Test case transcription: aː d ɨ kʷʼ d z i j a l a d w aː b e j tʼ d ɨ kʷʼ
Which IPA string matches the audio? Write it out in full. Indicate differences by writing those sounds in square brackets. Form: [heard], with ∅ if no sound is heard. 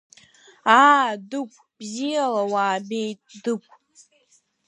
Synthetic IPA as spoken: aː d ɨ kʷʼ [b] z i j a l a [∅] w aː b e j tʼ d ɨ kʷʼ